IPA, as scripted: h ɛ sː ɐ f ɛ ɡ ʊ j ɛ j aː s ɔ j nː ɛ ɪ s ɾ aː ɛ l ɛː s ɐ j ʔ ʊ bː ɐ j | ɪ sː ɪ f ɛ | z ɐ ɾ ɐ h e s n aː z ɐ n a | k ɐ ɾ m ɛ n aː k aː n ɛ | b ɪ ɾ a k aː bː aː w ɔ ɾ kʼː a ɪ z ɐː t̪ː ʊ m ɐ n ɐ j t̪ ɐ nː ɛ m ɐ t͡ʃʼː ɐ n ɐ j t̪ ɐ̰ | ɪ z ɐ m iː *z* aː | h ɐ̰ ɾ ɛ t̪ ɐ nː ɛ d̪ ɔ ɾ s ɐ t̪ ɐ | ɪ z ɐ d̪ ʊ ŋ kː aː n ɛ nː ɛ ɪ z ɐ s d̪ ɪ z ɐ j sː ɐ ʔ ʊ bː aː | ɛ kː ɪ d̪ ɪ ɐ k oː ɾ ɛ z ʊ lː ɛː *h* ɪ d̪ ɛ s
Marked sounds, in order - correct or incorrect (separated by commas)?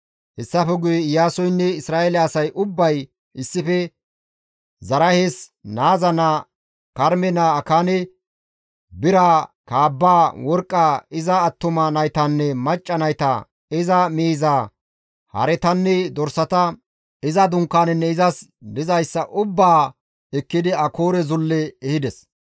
correct, correct